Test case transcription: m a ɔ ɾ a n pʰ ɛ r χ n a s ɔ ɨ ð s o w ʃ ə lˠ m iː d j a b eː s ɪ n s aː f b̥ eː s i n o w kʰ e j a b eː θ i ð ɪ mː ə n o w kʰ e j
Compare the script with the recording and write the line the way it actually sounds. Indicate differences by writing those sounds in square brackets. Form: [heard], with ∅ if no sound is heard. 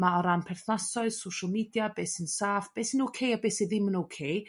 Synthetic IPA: m a ɔ ɾ a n pʰ ɛ r [θ] n a s ɔ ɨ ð s o w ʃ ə lˠ m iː d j a b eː s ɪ n s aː f b̥ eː s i n o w kʰ e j a b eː [s] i ð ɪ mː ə n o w kʰ e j